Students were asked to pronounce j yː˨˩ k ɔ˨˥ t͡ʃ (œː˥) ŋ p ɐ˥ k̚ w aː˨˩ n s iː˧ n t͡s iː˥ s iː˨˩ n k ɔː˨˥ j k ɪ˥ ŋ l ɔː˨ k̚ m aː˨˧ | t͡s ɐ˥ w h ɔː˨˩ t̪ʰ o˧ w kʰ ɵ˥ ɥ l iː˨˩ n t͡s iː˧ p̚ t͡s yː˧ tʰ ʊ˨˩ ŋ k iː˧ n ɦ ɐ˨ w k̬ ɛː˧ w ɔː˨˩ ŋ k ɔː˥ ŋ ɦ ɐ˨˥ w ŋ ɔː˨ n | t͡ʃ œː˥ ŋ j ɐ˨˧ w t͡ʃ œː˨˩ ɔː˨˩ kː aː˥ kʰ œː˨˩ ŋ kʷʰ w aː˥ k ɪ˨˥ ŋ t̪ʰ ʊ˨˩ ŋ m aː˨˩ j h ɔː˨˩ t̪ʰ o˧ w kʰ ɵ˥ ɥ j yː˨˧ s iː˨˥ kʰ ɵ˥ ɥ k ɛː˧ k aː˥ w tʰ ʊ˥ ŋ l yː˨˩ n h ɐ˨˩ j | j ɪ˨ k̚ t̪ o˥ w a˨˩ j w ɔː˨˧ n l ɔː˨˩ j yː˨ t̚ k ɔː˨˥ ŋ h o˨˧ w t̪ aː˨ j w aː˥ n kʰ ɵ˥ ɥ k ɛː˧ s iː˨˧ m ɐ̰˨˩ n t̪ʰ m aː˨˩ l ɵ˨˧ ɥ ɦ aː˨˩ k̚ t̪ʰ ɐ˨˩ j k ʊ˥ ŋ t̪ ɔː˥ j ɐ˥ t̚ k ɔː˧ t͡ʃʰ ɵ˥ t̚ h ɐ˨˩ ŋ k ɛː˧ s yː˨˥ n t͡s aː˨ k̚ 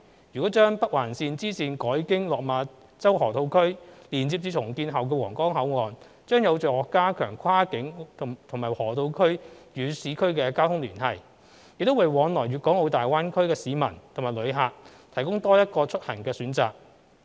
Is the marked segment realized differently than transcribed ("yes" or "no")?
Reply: no